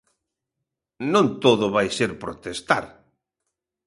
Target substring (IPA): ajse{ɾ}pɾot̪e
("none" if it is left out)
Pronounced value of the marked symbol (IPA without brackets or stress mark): ɾ